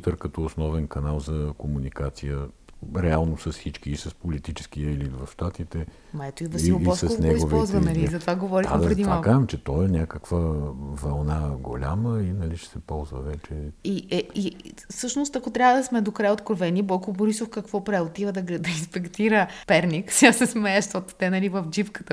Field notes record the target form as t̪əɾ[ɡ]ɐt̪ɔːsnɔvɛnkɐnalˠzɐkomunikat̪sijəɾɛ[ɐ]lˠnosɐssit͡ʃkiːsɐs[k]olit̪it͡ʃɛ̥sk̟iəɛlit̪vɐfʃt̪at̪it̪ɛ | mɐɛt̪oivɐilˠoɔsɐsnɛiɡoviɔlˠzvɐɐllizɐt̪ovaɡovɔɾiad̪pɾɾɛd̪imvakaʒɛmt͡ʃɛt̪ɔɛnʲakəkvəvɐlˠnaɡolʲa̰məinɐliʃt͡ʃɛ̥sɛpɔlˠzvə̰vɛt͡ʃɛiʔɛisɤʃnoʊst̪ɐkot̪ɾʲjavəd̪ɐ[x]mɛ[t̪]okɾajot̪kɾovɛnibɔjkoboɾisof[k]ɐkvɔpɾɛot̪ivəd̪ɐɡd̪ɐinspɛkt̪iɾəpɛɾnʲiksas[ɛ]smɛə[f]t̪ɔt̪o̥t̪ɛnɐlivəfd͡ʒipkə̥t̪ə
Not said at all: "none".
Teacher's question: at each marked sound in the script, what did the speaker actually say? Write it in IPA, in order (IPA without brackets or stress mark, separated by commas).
k, a, p, s, d̪, k, ɛ, ʃ